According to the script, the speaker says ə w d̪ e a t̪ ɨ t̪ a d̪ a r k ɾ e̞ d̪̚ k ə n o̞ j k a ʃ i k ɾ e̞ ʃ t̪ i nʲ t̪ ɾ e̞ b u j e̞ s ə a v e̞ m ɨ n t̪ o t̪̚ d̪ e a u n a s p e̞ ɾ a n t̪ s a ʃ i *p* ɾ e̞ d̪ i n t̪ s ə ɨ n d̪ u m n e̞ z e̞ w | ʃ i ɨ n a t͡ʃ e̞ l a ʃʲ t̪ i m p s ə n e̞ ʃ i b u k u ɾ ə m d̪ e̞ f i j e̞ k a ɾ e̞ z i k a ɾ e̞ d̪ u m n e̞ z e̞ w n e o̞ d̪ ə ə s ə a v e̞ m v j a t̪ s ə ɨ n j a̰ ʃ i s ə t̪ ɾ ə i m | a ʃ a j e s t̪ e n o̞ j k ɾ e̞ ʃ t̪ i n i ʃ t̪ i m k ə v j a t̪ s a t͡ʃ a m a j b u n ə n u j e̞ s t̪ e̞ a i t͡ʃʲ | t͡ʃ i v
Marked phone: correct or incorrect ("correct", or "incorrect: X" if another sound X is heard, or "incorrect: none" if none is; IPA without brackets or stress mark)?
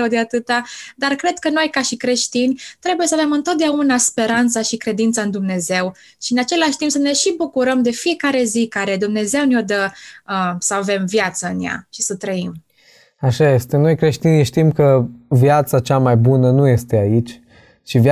incorrect: k